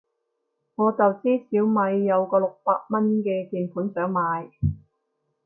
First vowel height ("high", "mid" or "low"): mid